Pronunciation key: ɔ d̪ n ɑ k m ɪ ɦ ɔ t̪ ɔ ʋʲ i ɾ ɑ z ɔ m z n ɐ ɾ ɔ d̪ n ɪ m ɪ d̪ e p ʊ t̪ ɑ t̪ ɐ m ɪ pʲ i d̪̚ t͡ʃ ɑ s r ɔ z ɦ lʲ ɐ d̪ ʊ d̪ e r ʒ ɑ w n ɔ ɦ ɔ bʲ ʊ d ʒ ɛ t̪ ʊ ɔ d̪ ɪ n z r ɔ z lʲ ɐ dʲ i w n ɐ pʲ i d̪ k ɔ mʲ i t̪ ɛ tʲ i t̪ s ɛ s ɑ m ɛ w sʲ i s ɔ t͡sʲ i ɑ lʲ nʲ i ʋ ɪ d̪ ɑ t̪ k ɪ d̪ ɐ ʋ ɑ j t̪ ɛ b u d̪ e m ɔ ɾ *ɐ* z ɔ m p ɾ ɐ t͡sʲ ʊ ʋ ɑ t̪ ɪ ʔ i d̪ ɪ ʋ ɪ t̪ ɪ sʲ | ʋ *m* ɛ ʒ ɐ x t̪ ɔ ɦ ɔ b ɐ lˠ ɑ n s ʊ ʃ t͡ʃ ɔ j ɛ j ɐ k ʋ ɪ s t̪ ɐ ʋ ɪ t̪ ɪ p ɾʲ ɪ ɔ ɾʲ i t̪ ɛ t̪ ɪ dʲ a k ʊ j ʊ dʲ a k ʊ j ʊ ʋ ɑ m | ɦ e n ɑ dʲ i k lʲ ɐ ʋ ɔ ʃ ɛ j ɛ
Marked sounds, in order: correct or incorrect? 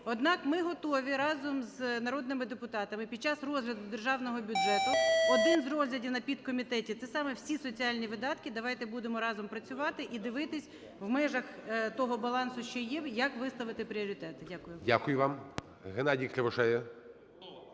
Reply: incorrect: ɑ, correct

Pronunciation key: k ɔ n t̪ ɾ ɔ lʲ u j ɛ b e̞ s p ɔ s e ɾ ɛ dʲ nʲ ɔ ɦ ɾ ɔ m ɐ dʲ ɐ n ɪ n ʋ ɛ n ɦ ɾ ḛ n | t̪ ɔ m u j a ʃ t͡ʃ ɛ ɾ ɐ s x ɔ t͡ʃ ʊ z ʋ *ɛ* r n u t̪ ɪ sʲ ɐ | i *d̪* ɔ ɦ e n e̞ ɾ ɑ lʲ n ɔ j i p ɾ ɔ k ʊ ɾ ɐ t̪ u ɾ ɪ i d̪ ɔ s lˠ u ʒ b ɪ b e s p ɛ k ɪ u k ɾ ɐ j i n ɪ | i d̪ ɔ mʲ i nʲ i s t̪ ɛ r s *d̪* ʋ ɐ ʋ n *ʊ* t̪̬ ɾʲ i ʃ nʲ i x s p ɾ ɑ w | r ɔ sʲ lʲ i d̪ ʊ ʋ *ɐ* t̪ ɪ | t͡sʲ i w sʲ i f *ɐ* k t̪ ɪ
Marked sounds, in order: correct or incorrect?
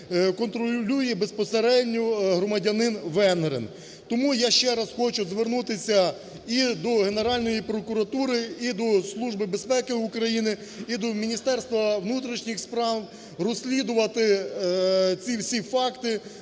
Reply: incorrect: e, correct, incorrect: t̪, incorrect: u, correct, incorrect: ɑ

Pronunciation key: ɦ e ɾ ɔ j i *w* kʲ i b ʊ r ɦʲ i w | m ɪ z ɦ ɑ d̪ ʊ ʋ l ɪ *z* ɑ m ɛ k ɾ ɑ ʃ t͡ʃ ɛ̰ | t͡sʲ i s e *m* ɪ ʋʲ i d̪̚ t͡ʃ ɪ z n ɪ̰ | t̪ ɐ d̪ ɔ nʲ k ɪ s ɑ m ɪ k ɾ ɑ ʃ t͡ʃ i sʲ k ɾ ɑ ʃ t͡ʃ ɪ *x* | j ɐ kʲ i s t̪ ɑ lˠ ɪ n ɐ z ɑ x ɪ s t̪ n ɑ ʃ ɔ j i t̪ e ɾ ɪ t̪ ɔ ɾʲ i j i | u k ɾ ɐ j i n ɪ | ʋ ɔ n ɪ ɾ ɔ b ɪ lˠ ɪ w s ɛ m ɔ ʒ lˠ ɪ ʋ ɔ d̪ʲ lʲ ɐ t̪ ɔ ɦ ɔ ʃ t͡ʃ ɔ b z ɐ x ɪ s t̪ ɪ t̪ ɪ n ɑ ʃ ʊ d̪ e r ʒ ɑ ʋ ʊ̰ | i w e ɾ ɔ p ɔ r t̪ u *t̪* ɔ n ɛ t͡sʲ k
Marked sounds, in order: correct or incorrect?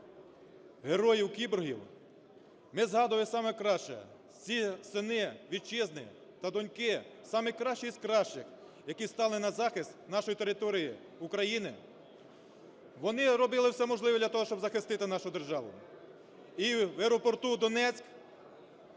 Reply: correct, incorrect: s, incorrect: n, correct, incorrect: d̪

